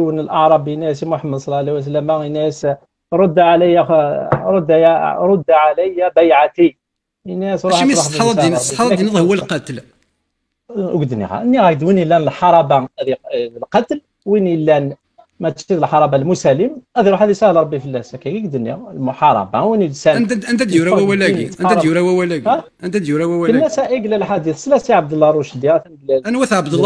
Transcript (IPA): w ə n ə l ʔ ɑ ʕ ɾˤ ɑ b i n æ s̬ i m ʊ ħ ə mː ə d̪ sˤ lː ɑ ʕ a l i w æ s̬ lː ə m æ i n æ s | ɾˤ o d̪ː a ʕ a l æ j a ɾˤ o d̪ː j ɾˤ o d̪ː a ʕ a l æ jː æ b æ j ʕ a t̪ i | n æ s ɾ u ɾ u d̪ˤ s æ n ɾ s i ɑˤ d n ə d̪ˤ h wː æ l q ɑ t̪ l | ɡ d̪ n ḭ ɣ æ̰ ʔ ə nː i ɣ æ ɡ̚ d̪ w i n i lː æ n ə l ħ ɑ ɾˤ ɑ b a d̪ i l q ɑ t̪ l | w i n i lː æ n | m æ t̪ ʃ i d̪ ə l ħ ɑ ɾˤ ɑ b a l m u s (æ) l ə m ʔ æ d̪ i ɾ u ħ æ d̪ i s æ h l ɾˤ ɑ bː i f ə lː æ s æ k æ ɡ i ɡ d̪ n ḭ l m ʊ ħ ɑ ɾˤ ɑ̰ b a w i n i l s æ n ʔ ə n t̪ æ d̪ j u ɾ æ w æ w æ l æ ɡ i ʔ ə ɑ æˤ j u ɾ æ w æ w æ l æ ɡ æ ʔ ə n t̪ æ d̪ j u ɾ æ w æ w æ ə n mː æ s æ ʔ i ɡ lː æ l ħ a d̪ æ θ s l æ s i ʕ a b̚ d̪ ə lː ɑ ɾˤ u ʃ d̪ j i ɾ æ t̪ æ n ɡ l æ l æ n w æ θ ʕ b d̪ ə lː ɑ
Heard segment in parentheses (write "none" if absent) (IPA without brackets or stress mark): æ